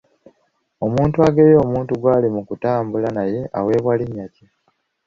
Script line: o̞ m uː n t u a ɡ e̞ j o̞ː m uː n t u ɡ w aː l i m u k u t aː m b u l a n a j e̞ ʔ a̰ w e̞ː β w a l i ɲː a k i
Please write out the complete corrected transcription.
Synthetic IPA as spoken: o̞ m uː n t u a ɡ e̞ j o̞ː m uː n t u ɡ w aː l i m u k u t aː m b u l a n a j e̞ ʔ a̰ w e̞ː β w a l i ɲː a c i